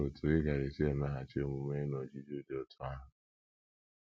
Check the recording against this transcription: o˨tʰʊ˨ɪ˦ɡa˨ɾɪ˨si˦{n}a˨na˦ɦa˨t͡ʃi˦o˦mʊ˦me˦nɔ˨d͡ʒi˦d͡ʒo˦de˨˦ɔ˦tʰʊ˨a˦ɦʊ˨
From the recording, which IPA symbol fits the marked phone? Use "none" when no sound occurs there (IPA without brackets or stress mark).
none